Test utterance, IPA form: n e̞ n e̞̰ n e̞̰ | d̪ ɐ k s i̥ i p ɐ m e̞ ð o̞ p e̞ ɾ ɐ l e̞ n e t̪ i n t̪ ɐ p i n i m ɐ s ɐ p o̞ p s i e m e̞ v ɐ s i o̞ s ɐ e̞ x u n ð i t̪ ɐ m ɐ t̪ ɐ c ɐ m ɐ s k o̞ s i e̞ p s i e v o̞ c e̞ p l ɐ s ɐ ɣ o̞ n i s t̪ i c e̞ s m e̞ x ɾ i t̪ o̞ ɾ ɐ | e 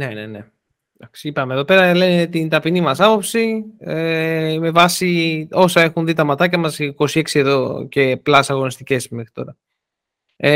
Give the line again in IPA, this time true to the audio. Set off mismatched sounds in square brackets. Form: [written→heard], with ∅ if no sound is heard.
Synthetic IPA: n e̞ n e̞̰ n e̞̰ | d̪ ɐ k s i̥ i p ɐ m e̞ ð o̞ p e̞ ɾ ɐ l e̞ n e t̪ i n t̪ ɐ p i n i m ɐ s ɐ p o̞ p s i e m e̞ v ɐ s i o̞ s ɐ e̞ x u n ð i t̪ ɐ m ɐ t̪ ɐ c ɐ m ɐ s k o̞ s i e̞ [p→k] s i e [v→ð] o̞ c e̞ p l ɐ s ɐ ɣ o̞ n i s t̪ i c e̞ s m e̞ x ɾ i t̪ o̞ ɾ ɐ | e